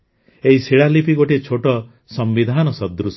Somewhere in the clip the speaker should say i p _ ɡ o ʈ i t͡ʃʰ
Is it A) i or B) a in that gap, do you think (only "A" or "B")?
A